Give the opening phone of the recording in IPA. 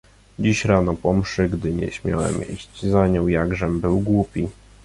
d͡ʑ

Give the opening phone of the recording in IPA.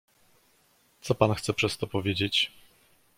t̪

